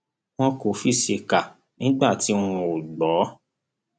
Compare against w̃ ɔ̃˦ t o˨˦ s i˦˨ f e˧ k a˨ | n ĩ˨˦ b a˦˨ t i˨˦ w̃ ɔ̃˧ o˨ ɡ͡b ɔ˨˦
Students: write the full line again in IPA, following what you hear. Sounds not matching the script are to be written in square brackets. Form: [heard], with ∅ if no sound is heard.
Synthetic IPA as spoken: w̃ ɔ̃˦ [k] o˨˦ [f] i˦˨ [ʃ] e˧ k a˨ | n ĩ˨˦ [ɡ͡b] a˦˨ t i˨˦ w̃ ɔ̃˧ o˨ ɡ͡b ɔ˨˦